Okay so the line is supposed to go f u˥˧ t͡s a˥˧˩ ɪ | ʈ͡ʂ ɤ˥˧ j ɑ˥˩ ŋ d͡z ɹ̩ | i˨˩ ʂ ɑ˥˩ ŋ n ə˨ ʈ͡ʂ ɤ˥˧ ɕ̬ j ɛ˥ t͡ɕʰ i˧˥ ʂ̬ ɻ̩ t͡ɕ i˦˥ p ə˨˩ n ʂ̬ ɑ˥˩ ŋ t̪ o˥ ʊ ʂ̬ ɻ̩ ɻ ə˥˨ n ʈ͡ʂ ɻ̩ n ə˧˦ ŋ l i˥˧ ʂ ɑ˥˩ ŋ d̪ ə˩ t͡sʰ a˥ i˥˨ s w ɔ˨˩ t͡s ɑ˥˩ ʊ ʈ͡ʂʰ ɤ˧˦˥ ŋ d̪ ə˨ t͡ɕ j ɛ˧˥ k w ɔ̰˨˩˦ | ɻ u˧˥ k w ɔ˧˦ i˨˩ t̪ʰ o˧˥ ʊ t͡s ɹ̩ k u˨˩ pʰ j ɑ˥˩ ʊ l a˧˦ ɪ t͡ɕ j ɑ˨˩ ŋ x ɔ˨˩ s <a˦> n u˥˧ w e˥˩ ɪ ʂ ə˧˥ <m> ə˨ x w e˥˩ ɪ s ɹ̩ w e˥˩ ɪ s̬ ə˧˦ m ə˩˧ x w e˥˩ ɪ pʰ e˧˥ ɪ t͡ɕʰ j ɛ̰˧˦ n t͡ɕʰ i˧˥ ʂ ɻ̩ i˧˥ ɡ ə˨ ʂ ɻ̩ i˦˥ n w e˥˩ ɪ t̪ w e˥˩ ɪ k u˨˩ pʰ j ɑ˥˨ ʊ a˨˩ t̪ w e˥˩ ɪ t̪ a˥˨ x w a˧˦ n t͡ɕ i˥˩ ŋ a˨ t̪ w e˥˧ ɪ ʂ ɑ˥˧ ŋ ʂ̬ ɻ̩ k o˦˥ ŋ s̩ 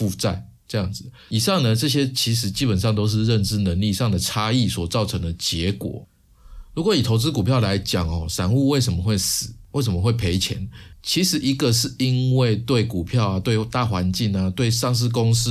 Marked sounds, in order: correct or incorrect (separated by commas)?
incorrect, correct